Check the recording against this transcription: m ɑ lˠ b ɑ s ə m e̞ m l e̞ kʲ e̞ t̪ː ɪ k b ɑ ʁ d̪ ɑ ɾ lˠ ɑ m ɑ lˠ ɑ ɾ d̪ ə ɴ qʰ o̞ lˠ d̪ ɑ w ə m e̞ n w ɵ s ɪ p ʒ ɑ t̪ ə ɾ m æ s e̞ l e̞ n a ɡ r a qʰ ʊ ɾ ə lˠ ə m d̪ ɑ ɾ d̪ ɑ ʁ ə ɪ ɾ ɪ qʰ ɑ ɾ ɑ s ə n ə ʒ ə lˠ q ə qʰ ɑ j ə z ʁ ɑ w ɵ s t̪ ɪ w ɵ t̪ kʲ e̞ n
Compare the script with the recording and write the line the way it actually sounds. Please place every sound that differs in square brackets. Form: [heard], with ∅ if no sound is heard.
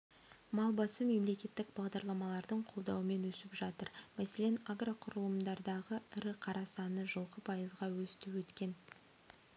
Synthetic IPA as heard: m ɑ lˠ b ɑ s ə m e̞ m l e̞ kʲ e̞ t̪ː ɪ k b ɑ ʁ d̪ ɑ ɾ lˠ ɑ m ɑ lˠ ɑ ɾ d̪ ə ɴ qʰ o̞ lˠ d̪ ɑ w ə m e̞ n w ɵ s ɪ p ʒ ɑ t̪ ə ɾ m æ s e̞ l e̞ n a ɡ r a qʰ ʊ ɾ ə lˠ ə m d̪ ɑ ɾ d̪ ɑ ʁ ə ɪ ɾ ɪ qʰ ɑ ɾ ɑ s [ɑ] n ə ʒ ə lˠ q ə [pʰ] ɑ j ə z ʁ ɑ w ɵ s t̪ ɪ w ɵ t̪ kʲ e̞ n

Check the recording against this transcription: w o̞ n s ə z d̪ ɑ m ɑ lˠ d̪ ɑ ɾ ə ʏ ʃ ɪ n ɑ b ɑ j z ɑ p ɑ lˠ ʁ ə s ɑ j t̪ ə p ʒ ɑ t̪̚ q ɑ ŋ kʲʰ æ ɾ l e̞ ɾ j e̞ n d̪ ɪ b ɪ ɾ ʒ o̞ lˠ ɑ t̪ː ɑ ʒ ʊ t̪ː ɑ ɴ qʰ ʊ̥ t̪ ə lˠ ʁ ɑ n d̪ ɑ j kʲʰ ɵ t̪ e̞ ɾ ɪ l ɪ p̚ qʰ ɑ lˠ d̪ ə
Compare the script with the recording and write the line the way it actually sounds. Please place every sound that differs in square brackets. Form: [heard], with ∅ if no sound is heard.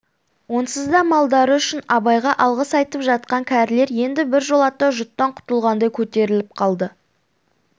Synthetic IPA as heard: w o̞ n s ə z d̪ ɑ m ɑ lˠ d̪ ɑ ɾ ə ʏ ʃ ɪ n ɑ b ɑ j [ʁ] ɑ [ʔ] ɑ lˠ ʁ ə s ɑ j t̪ ə p ʒ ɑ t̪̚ q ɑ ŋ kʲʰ æ ɾ l e̞ ɾ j e̞ n d̪ ɪ b ɪ ɾ ʒ o̞ lˠ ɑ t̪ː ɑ ʒ ʊ t̪ː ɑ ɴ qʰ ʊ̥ t̪ ə lˠ ʁ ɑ n d̪ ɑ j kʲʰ ɵ t̪ e̞ ɾ ɪ l ɪ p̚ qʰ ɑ lˠ d̪ ə

